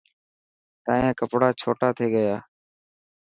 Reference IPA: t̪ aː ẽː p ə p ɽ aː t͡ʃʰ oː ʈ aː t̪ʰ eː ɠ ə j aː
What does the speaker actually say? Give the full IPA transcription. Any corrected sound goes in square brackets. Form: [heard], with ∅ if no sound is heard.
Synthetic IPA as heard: t̪ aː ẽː [k] ə p ɽ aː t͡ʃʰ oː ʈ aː t̪ʰ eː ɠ ə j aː